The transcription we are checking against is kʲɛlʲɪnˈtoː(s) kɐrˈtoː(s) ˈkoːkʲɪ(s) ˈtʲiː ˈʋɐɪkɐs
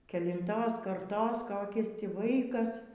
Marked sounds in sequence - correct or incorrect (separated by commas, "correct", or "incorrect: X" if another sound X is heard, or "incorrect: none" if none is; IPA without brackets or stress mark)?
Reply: correct, correct, correct